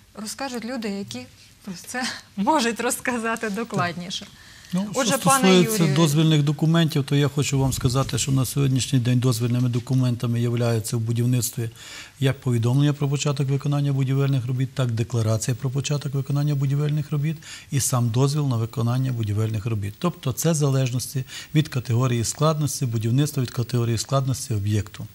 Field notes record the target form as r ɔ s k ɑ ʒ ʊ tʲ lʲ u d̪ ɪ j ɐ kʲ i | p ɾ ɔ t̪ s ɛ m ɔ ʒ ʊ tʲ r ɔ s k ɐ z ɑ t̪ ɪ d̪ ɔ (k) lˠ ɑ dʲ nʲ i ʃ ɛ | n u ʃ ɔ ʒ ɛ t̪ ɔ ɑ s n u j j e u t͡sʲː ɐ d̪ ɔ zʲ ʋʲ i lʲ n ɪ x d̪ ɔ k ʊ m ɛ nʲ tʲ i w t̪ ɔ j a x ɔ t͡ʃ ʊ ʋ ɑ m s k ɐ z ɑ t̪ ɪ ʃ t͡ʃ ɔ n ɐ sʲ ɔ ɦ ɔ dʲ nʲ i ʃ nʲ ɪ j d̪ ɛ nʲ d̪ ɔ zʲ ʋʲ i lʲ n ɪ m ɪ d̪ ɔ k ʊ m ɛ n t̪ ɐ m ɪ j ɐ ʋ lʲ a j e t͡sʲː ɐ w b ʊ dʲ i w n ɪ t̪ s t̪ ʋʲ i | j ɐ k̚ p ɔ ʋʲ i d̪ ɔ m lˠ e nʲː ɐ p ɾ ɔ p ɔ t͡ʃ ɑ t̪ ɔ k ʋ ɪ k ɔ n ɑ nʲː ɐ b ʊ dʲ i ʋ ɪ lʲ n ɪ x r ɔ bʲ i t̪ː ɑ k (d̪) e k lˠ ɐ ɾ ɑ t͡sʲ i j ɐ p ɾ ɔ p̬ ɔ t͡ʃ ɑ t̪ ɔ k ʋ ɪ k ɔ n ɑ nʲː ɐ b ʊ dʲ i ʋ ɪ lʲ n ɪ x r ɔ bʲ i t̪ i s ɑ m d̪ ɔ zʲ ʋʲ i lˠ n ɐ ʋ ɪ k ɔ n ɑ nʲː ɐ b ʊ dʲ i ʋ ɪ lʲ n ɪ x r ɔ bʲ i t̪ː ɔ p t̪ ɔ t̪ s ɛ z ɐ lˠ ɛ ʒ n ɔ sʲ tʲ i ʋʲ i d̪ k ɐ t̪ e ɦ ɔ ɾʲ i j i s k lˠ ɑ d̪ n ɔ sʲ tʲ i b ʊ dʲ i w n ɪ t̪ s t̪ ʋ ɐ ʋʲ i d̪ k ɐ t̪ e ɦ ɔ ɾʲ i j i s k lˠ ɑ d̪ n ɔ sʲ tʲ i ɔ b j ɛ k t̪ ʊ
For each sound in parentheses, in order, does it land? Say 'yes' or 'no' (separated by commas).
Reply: yes, yes